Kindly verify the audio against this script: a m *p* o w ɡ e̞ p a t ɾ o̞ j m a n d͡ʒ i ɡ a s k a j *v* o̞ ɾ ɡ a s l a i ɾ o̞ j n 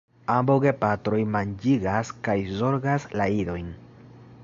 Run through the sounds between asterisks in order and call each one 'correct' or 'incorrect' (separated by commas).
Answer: incorrect, incorrect